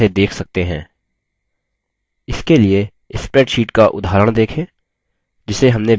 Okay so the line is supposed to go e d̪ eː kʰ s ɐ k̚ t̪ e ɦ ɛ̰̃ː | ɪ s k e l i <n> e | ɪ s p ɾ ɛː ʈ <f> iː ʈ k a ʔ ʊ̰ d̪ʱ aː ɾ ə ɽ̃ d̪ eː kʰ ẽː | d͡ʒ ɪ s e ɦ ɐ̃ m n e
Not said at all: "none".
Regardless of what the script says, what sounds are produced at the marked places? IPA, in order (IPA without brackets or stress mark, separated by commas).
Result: none, ʃ